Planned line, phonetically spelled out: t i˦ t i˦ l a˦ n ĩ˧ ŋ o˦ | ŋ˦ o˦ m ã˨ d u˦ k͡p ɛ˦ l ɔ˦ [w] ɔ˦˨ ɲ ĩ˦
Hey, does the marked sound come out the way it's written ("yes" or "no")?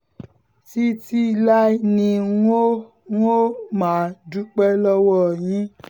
yes